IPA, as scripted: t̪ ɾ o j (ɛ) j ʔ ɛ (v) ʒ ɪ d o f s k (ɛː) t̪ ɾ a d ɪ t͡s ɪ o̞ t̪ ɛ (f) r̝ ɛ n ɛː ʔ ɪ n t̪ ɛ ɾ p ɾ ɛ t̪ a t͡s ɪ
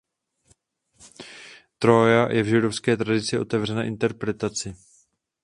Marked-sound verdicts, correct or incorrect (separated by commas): incorrect, correct, correct, incorrect